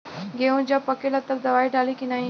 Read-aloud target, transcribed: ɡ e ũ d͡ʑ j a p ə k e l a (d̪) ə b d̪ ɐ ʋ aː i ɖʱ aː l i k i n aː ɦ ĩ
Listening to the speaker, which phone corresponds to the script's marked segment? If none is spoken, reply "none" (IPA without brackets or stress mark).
t̪